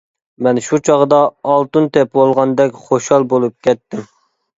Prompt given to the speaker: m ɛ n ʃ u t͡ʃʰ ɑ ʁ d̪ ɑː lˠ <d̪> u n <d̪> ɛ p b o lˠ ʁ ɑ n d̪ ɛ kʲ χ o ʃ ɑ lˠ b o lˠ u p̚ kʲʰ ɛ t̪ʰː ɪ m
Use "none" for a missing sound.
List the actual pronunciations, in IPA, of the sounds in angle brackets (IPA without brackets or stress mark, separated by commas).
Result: t̪, t̪